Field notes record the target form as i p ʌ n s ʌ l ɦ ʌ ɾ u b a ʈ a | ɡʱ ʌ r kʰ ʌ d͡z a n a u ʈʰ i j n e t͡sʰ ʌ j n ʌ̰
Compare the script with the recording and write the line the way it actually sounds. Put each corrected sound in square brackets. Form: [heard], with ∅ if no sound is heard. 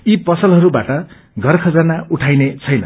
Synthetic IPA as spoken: i p ʌ [∅] s ʌ l ɦ ʌ ɾ u b a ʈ [ʌ] | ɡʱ ʌ r kʰ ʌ d͡z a n a u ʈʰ [a] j n e t͡sʰ ʌ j n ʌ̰

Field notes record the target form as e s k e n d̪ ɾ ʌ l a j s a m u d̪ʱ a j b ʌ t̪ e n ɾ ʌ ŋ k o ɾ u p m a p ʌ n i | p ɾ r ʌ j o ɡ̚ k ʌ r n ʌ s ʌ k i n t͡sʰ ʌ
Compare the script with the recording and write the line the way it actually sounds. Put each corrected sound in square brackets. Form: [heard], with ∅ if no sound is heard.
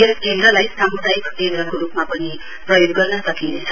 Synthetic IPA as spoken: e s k e n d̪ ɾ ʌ l a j s a m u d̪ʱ a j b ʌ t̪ e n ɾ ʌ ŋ k o ɾ u p m a p ʌ n i | p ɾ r ʌ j o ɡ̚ [ɡ] ʌ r n ʌ s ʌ k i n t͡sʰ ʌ

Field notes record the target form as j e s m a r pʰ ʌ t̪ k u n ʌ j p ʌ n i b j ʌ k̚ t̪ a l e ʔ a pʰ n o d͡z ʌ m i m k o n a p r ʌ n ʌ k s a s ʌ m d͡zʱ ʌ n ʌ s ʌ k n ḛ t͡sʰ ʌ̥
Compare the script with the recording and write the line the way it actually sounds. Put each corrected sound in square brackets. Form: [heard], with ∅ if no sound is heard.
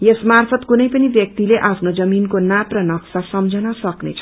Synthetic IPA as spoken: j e s m a r pʰ ʌ t̪ k u n ʌ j p ʌ n i b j ʌ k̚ t̪ [i] l e ʔ a pʰ n o d͡z ʌ m i [n] k o n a p r ʌ n ʌ k s a s ʌ m d͡zʱ ʌ n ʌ s ʌ k n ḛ t͡sʰ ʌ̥

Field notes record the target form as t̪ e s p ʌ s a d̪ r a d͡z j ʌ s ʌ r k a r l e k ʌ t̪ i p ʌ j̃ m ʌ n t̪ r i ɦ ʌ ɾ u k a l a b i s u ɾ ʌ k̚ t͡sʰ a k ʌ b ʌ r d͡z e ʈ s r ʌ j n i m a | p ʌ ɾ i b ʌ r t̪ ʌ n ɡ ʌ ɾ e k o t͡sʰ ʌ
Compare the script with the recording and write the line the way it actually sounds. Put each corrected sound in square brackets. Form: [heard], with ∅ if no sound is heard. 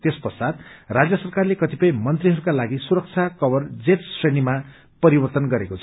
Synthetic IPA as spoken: t̪ e s p ʌ s a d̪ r a d͡z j ʌ s ʌ r k a r l e k ʌ t̪ i p ʌ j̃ m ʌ n t̪ r i ɦ ʌ ɾ u k a l a [ɡ] i s u ɾ ʌ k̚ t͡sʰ a k ʌ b ʌ r d͡z e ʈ s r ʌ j n i m a | p ʌ ɾ i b ʌ r t̪ ʌ n ɡ ʌ ɾ e k o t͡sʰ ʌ

